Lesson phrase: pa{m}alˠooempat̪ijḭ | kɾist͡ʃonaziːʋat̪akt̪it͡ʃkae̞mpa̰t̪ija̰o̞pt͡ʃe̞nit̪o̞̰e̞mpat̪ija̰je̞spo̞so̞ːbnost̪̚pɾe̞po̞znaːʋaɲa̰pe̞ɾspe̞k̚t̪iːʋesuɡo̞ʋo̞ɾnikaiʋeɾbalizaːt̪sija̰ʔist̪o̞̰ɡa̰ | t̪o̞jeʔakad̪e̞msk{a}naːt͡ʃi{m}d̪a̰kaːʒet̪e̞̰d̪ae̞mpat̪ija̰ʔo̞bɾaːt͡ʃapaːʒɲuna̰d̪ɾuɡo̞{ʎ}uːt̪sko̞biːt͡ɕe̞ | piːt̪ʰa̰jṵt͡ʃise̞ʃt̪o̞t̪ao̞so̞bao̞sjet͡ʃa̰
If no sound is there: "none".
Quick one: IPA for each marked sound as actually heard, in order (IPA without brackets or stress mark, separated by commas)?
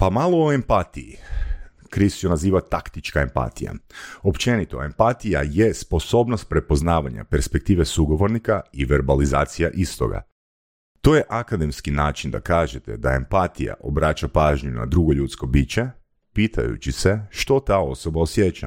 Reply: m, i, n, ʎ